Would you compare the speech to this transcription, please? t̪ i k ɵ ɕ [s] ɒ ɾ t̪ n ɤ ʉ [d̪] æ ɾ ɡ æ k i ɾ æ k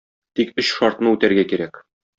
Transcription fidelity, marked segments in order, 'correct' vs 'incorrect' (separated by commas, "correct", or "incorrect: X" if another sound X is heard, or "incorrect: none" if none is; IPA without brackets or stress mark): incorrect: ʃ, incorrect: t̪